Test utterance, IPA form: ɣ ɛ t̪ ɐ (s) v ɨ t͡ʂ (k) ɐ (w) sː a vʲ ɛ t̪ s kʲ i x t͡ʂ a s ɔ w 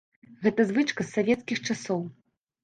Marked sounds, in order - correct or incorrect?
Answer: incorrect: z, correct, incorrect: none

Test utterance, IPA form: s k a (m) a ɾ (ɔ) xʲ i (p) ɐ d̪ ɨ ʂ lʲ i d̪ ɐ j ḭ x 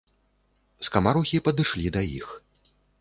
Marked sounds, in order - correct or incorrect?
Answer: correct, incorrect: u, correct

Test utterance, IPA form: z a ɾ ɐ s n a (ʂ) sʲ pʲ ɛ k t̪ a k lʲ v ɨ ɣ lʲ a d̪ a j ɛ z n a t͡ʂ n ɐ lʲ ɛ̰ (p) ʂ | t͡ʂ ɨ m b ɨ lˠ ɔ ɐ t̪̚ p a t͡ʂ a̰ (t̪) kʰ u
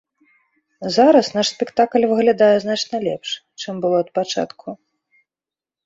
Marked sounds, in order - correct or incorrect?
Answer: correct, correct, correct

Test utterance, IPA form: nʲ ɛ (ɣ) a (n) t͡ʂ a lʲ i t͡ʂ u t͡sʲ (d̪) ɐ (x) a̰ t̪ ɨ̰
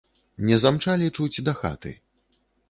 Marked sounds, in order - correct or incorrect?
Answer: incorrect: z, incorrect: m, correct, correct

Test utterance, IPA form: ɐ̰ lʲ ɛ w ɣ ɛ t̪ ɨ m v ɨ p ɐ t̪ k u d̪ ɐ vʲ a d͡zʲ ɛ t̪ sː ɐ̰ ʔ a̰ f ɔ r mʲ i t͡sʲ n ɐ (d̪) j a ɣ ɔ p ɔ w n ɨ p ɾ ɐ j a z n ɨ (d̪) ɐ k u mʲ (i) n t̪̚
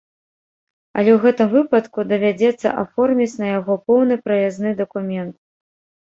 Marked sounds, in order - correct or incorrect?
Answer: incorrect: none, correct, incorrect: ɛ

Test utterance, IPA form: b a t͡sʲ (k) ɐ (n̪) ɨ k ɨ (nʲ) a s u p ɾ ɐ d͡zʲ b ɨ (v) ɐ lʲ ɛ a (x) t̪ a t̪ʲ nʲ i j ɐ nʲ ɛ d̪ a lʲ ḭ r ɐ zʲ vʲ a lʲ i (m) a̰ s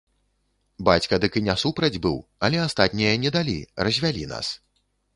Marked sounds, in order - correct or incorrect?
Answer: correct, incorrect: d̪, correct, incorrect: w, incorrect: s, incorrect: n

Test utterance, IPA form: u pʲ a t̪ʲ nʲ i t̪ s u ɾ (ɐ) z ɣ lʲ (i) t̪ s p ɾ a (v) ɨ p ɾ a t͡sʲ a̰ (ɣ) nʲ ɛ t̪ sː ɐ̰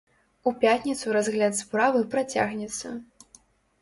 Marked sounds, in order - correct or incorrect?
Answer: incorrect: a, incorrect: a, correct, correct

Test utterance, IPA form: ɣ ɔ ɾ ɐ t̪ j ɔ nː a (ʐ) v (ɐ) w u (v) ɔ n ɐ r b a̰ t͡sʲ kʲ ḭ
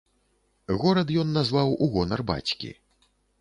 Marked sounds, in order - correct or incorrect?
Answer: incorrect: z, incorrect: a, incorrect: ɣ

